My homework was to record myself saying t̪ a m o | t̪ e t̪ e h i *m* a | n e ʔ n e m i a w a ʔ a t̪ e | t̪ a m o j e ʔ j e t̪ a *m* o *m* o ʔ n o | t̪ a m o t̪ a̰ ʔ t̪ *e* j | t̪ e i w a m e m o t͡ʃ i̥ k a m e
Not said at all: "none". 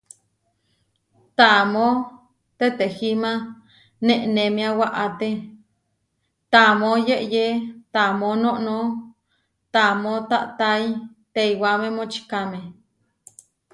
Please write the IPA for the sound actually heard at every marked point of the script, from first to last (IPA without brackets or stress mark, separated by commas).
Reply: m, m, n, a